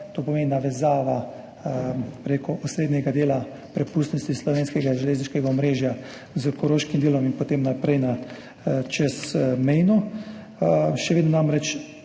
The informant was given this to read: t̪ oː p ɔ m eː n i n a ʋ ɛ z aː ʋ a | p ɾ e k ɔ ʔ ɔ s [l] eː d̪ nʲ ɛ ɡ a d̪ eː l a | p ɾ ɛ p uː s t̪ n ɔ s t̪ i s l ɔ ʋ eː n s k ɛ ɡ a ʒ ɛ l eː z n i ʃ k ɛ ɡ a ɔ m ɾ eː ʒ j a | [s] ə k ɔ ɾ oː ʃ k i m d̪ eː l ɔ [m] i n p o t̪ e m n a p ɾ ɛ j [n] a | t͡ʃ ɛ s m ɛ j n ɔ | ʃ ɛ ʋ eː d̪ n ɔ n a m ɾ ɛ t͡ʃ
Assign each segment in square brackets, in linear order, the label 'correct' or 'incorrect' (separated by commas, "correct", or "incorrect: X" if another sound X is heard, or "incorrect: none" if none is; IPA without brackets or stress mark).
incorrect: ɾ, incorrect: z, correct, correct